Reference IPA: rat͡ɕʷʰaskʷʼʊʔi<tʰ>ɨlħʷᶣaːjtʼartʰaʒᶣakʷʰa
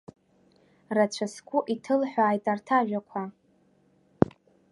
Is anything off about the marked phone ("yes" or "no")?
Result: no